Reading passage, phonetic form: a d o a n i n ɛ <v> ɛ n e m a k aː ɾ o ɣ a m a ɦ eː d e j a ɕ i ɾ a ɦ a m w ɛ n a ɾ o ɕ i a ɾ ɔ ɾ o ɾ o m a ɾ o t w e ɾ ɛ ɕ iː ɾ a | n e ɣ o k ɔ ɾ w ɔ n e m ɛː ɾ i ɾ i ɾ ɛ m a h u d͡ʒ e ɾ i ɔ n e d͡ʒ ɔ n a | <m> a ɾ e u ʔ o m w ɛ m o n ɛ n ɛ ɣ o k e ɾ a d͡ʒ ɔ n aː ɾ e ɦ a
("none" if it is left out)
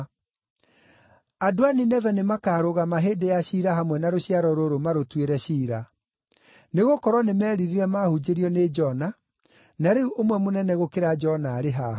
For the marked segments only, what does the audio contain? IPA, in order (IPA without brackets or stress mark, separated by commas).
v, n